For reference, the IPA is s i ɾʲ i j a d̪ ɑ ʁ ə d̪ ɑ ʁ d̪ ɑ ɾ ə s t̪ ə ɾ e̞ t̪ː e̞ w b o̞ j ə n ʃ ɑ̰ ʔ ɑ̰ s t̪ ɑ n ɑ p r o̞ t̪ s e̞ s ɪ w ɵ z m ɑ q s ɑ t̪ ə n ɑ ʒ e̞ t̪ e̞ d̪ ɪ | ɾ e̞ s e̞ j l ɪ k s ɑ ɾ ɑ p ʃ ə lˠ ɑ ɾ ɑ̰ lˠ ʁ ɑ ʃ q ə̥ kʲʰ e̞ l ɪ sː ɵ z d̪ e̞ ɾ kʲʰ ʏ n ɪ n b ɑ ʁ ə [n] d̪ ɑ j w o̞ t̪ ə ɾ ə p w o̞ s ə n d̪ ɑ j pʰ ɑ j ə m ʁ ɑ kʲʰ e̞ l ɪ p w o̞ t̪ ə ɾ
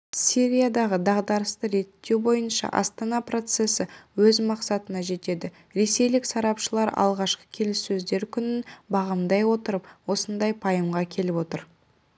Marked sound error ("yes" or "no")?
yes